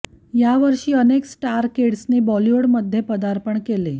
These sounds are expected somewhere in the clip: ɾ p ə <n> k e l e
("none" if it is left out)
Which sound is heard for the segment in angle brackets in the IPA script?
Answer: ɳ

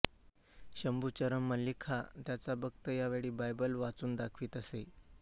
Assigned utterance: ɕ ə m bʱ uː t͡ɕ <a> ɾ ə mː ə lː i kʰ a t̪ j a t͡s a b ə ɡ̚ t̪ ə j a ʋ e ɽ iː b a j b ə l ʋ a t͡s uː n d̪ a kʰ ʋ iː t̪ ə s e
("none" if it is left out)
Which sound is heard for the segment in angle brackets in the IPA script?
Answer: ə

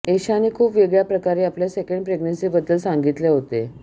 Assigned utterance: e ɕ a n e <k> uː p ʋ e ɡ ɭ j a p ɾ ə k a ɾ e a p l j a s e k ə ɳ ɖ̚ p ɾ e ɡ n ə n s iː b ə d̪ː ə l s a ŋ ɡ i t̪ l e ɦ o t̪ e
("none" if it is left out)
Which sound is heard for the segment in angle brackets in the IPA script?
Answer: kʰ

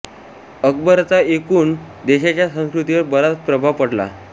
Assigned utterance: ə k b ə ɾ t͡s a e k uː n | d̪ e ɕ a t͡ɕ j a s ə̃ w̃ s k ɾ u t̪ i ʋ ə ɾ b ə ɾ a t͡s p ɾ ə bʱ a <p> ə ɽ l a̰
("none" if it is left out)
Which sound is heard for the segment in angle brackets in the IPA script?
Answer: p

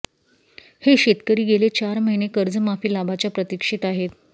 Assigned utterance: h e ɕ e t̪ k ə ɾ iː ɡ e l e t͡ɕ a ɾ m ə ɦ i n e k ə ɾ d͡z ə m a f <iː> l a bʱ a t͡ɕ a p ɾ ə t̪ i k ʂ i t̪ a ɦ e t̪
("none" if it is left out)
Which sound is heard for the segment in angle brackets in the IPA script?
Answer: iː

